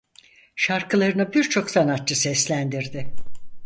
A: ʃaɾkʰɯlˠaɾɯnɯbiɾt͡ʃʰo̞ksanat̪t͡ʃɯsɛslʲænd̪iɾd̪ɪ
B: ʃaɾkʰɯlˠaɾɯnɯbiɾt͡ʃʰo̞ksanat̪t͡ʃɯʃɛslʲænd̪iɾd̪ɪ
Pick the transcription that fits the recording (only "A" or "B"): A